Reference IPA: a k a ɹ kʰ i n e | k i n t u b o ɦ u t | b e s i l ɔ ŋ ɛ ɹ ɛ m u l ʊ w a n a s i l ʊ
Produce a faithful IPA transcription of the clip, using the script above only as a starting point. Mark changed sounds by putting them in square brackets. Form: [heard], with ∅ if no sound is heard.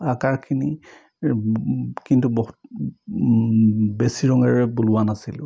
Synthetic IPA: a k a ɹ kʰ i n [i] | k i n t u b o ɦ u t | b e s i [ɹ] ɔ ŋ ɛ ɹ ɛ [b] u l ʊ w a n a s i l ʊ